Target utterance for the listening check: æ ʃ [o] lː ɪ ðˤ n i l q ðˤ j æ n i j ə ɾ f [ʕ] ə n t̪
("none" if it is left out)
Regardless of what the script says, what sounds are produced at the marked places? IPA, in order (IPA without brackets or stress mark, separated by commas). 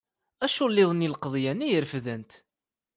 u, ð